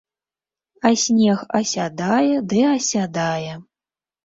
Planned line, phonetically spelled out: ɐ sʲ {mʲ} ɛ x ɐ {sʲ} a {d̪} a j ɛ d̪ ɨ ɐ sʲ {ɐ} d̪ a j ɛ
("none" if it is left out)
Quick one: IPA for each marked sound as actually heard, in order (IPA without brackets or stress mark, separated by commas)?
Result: nʲ, sʲ, d̪, a